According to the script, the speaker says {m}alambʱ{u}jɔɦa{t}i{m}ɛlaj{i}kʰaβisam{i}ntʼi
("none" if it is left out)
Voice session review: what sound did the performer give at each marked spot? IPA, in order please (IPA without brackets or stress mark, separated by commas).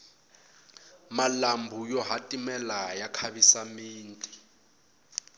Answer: m, u, tʼ, m, a, iː